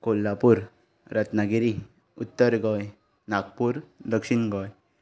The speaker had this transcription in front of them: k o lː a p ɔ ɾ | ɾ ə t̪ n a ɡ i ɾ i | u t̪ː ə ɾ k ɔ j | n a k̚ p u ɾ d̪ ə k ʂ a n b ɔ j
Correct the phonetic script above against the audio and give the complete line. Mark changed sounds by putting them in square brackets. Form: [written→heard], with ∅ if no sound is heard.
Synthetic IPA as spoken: k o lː a p [ɔ→u] ɾ | ɾ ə t̪ n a ɡ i ɾ i | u t̪ː ə ɾ [k→ɡ] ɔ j | n a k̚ p u ɾ d̪ ə k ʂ [a→i] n [b→ɡ] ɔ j